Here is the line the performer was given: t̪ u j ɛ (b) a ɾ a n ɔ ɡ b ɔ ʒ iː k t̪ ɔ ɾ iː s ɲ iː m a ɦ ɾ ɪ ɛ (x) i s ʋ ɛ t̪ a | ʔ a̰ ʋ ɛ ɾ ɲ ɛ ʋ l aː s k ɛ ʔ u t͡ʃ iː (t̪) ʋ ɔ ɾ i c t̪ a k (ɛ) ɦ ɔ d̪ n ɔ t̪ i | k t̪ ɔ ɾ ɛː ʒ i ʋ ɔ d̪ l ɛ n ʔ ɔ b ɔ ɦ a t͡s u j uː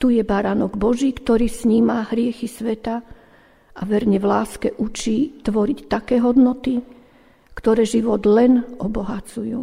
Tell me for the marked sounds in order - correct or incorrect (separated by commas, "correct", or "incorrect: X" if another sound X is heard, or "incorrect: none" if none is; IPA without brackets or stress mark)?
correct, correct, correct, incorrect: ɛː